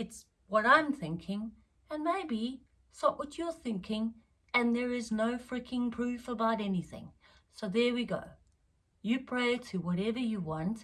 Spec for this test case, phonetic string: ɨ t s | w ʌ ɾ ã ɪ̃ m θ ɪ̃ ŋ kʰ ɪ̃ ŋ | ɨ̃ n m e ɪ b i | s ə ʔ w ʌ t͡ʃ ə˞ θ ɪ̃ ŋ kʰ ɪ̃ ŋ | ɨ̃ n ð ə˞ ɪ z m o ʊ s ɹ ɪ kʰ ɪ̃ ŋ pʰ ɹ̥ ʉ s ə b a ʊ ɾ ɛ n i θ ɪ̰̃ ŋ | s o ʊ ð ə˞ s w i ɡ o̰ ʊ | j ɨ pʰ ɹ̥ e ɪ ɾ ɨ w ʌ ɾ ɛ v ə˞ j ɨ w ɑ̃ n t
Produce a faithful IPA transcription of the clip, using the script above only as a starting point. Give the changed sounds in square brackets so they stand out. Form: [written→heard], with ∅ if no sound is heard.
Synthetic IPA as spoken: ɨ t s | w ʌ ɾ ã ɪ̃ m θ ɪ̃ ŋ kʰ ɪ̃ ŋ | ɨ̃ n m e ɪ b i | s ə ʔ w ʌ t͡ʃ ə˞ θ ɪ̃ ŋ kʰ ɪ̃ ŋ | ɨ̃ n ð ə˞ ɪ z [m→n] o ʊ [s→f] ɹ ɪ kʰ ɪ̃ ŋ pʰ ɹ̥ ʉ [s→f] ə b a ʊ ɾ ɛ n i θ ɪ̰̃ ŋ | s o ʊ ð ə˞ [s→∅] w i ɡ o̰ ʊ | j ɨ pʰ ɹ̥ e ɪ ɾ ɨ w ʌ ɾ ɛ v ə˞ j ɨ w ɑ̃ n t

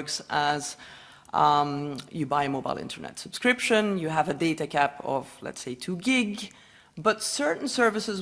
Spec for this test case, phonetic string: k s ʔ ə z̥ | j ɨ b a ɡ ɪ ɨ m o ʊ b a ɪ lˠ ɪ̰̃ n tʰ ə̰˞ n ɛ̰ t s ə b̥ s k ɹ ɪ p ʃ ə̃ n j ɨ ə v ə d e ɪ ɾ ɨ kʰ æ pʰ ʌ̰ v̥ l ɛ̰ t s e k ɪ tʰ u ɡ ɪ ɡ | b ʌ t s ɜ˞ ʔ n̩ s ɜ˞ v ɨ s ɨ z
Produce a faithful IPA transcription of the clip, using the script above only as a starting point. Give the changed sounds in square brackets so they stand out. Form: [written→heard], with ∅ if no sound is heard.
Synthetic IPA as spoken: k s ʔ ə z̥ | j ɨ b a [ɡ→∅] ɪ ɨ m o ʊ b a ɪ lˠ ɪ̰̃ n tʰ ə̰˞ n ɛ̰ t s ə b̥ s k ɹ ɪ p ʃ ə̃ n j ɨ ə v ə d e ɪ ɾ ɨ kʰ æ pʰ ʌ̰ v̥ l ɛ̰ t s e [k→∅] ɪ tʰ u ɡ ɪ ɡ | b ʌ t s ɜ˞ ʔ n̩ s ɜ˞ v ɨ s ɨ z

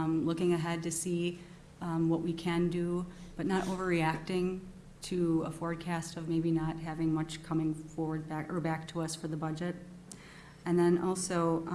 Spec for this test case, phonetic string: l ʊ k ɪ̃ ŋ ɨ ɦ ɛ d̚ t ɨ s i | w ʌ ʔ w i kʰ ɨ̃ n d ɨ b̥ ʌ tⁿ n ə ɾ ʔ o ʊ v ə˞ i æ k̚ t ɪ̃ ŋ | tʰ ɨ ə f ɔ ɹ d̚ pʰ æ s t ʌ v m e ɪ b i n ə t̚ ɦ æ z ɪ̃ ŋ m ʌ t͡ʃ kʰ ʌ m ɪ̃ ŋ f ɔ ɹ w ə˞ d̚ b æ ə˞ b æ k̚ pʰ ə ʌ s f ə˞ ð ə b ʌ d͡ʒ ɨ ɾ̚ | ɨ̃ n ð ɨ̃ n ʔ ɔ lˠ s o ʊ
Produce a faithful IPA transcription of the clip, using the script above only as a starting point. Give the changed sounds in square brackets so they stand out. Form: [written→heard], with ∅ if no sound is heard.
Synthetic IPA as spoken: l ʊ k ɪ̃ ŋ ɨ ɦ ɛ d̚ t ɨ s i | w ʌ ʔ w i kʰ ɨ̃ n d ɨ b̥ ʌ tⁿ n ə ɾ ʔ o ʊ v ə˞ i æ k̚ t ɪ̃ ŋ | tʰ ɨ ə f ɔ ɹ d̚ [pʰ→kʰ] æ s t ʌ v m e ɪ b i n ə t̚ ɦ æ [z→v] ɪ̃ ŋ m ʌ t͡ʃ kʰ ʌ m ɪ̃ ŋ f ɔ ɹ w ə˞ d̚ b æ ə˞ b æ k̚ [pʰ→tʰ] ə ʌ s f ə˞ ð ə b ʌ d͡ʒ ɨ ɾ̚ | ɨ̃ n ð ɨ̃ n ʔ ɔ lˠ s o ʊ

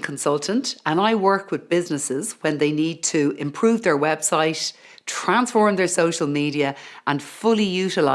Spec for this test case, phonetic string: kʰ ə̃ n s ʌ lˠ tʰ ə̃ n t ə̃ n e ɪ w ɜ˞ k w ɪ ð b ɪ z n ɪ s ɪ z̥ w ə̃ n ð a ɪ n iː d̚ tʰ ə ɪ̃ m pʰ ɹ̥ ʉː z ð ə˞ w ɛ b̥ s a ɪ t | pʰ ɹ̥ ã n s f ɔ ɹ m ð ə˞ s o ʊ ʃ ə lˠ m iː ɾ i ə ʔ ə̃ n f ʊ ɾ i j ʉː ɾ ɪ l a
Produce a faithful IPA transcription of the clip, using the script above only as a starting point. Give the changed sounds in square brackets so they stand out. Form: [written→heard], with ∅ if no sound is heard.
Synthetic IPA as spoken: kʰ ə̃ n s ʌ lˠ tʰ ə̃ n t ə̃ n [e→a] ɪ w ɜ˞ k w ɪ ð b ɪ z n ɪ s ɪ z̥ w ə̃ n ð [a→e] ɪ n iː d̚ tʰ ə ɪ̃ m pʰ ɹ̥ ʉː [z→v] ð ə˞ w ɛ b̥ s a ɪ t | [pʰ→tʰ] ɹ̥ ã n s f ɔ ɹ m ð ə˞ s o ʊ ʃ ə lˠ m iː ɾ i ə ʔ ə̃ n f ʊ [ɾ→l] i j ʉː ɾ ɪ l a

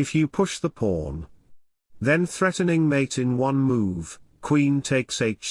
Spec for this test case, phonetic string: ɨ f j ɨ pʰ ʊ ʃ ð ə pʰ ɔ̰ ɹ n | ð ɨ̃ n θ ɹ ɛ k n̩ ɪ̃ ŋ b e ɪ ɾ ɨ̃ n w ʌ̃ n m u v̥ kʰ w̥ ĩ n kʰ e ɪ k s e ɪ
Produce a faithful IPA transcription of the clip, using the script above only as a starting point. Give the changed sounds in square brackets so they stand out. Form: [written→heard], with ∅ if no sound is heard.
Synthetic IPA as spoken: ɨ f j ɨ pʰ ʊ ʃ ð ə pʰ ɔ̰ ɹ n | ð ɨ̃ n θ ɹ ɛ [k→ʔ] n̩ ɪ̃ ŋ [b→m] e ɪ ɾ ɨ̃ n w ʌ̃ n m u v̥ kʰ w̥ ĩ n [kʰ→tʰ] e ɪ k s e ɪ

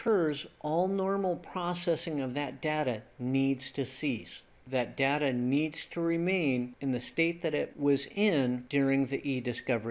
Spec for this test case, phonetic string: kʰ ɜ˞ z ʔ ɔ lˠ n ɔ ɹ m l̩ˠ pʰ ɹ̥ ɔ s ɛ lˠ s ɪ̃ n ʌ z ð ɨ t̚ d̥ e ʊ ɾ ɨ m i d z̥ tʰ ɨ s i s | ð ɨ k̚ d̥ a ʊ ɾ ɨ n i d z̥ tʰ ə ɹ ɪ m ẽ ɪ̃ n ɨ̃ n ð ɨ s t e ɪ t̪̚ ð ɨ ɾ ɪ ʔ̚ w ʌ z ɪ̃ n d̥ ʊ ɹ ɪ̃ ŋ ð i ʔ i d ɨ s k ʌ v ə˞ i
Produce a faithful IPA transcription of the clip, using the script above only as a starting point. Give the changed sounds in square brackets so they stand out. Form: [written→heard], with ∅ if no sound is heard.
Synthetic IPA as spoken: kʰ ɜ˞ z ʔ ɔ lˠ n ɔ ɹ m l̩ˠ pʰ ɹ̥ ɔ s ɛ [lˠ→∅] s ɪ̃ [n→ŋ] ʌ [z→v] ð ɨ t̚ d̥ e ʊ ɾ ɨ [m→n] i d z̥ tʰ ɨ s i s | ð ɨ [k̚→t̚] d̥ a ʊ ɾ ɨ n i d z̥ tʰ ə ɹ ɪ m ẽ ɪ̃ n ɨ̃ n ð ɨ s t e ɪ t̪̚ ð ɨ ɾ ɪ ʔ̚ w ʌ z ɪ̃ n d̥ ʊ ɹ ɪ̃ ŋ ð i ʔ i d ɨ s k ʌ v ə˞ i

